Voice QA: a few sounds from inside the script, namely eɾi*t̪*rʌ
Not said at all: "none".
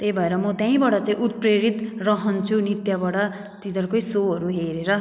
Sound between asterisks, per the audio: t̪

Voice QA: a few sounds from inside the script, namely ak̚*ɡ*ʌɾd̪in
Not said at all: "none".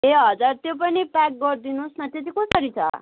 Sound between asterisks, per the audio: ɡ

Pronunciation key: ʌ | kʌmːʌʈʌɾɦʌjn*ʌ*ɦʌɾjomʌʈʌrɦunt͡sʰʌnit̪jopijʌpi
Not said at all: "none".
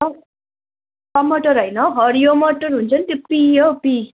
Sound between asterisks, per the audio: ʌ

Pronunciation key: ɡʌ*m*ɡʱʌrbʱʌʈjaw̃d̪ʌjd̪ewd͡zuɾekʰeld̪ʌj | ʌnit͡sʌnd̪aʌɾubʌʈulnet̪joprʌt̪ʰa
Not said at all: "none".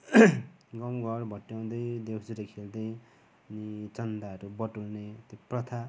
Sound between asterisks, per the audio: m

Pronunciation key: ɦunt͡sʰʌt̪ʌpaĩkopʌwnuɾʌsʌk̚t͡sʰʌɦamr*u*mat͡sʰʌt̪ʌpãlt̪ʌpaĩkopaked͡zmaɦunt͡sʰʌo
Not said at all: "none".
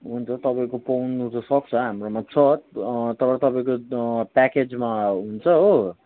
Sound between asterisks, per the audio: o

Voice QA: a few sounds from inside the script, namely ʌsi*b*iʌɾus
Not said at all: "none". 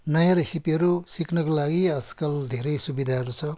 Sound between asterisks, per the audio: p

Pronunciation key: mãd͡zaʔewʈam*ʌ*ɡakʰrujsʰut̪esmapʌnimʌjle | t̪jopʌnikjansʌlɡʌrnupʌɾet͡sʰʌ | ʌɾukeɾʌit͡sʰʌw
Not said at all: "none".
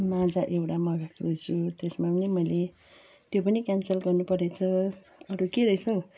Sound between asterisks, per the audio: ʌ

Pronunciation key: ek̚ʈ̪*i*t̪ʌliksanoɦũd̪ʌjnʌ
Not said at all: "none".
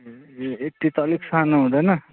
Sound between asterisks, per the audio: i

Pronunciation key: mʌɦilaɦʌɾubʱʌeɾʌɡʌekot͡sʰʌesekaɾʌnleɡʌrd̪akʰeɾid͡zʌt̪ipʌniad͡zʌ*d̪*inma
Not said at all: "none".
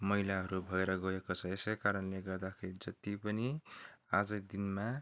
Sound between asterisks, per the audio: d̪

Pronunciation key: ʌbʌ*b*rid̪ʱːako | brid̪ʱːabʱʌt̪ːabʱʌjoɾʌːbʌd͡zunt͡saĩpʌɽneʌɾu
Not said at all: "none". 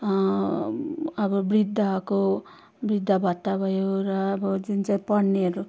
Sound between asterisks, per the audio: b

